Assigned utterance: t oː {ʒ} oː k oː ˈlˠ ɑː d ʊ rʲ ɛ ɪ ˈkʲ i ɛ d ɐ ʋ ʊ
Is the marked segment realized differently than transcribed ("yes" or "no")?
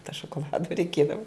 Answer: yes